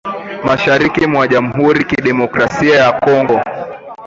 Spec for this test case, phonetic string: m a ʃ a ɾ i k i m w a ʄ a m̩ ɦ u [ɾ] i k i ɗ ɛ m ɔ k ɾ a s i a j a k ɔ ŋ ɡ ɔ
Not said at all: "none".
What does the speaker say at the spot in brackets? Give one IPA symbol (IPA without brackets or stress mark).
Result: ɾ